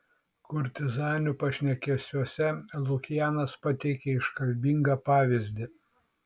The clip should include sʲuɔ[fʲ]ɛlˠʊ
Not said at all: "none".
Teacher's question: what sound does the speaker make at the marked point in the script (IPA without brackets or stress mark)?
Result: sʲ